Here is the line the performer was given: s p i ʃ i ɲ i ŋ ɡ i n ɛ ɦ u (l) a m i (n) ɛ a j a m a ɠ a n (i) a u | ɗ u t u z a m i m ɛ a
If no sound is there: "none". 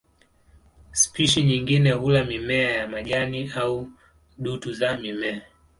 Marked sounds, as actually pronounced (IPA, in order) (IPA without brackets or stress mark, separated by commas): l, m, i